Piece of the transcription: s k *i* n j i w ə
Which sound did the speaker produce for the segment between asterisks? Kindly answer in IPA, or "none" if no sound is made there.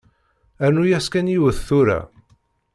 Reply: æ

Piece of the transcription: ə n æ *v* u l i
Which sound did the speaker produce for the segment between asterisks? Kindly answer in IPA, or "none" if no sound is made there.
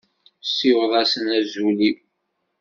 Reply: z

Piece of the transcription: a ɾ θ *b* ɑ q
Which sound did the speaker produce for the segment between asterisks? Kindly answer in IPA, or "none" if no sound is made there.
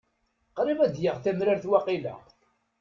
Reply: w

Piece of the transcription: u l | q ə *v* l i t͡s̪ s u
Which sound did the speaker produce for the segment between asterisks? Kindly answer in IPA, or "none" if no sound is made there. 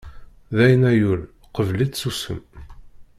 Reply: v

